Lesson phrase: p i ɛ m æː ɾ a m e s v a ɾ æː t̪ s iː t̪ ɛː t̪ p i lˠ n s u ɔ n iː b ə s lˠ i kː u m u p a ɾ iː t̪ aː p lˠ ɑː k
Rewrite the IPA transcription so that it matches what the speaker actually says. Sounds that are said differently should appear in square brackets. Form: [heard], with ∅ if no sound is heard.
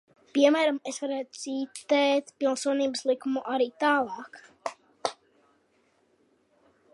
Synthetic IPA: p i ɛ m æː ɾ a m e s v a ɾ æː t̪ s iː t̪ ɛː t̪ p i lˠ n s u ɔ n iː b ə s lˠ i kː u m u [ʔ] a ɾ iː t̪ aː [∅] lˠ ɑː k